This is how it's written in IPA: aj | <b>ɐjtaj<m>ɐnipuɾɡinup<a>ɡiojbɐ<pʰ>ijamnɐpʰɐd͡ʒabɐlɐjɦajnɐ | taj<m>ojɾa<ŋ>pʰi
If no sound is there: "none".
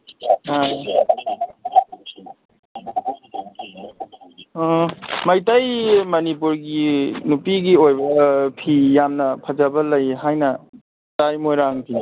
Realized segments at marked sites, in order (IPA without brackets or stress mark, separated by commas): m, m, i, pʰ, m, ŋ